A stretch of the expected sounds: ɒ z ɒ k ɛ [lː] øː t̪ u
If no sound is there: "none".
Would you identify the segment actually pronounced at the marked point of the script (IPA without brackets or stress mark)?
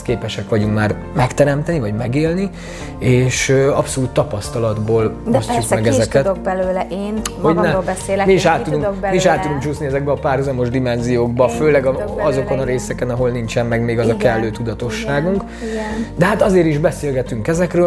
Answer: lː